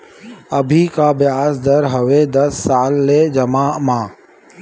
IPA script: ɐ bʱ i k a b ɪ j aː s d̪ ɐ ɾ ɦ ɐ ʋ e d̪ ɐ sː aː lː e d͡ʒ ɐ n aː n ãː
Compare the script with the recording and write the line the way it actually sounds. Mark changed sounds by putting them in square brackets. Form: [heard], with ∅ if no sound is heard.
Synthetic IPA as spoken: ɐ bʱ i k a b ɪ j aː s d̪ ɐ ɾ ɦ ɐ ʋ e d̪ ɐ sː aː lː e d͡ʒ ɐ [m] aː [m] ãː